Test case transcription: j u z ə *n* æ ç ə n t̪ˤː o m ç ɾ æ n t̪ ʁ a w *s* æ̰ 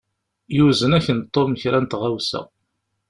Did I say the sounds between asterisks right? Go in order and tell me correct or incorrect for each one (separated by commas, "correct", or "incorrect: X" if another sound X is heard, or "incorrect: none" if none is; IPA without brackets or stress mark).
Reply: correct, correct